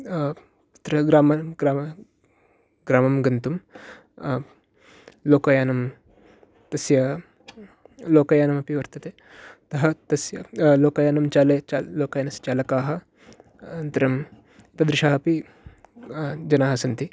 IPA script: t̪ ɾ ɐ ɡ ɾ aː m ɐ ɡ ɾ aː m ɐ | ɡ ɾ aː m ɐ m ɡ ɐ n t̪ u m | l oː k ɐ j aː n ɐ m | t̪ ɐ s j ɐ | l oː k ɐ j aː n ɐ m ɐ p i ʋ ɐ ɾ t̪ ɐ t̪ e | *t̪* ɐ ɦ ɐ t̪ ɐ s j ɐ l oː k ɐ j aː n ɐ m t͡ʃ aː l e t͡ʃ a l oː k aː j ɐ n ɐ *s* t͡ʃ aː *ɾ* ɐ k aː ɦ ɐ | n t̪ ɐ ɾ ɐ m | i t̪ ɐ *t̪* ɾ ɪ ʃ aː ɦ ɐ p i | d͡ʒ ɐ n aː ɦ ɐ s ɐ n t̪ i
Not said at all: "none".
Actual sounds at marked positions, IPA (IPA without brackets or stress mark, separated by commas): t̪, s, l, d̪